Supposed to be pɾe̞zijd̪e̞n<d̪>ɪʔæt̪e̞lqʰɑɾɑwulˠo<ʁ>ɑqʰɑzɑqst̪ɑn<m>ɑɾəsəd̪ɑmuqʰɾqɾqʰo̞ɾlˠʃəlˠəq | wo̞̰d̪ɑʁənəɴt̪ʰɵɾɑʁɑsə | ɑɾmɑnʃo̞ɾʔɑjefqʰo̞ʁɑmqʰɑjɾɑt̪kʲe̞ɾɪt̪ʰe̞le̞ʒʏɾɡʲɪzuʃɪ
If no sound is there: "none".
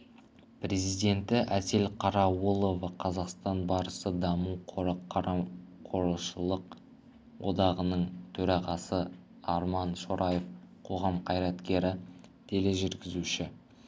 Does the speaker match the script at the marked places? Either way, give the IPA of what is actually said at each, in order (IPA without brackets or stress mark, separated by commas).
t̪, v, b